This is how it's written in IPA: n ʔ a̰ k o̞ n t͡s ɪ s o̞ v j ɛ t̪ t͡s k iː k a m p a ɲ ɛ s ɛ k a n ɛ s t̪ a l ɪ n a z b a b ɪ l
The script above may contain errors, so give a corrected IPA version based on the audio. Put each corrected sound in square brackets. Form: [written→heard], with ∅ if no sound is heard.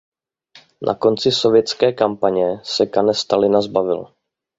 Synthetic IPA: n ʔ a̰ k o̞ n t͡s ɪ s o̞ v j ɛ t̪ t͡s k [iː→ɛː] k a m p a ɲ ɛ s ɛ k a n ɛ s t̪ a l ɪ n a z b a [b→v] ɪ l